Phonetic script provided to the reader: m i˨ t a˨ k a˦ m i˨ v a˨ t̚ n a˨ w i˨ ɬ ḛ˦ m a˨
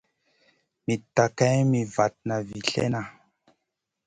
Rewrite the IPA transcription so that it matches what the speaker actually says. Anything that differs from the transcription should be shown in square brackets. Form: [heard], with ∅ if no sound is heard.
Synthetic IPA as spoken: m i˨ t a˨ k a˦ m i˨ v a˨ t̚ n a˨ [v] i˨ ɬ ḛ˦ [n] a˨